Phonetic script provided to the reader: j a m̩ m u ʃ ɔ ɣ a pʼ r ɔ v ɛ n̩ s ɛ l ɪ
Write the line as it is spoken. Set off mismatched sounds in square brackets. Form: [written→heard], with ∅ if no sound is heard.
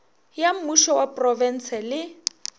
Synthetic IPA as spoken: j a m̩ m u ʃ ɔ [ɣ→w] a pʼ r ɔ v ɛ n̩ s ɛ l ɪ